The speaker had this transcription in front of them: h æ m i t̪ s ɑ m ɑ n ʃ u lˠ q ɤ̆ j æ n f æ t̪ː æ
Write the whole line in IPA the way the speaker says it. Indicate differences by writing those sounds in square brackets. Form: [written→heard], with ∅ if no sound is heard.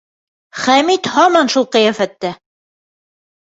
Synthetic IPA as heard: [h→χ] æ m i t̪ [s→h] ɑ m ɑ n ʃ u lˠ q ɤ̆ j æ [n→∅] f æ t̪ː æ